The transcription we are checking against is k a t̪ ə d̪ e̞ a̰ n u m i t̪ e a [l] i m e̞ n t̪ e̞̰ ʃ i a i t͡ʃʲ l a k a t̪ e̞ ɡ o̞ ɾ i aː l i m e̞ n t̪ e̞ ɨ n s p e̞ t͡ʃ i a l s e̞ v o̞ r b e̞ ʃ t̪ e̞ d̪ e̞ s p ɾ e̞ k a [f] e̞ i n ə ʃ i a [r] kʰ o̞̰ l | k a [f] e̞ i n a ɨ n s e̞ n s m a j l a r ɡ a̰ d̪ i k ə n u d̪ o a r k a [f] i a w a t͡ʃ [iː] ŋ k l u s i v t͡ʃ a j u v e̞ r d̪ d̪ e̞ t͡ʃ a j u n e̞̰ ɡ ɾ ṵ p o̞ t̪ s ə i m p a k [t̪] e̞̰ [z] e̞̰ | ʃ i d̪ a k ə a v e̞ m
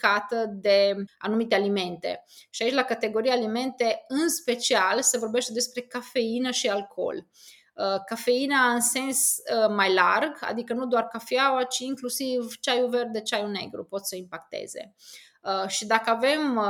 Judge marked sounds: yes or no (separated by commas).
yes, yes, no, yes, yes, yes, yes, yes